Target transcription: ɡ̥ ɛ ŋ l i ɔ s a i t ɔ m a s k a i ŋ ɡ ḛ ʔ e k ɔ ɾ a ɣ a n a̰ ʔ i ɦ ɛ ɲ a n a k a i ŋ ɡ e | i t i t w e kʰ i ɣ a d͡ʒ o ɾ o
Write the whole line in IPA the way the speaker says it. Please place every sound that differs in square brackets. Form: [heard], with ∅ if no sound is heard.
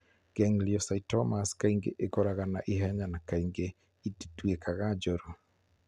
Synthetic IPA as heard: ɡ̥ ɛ ŋ l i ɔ s a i t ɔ m a s k a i ŋ ɡ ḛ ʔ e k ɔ ɾ a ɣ a n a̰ ʔ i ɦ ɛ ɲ a n a k a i ŋ ɡ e | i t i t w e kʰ [a] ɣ a d͡ʒ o ɾ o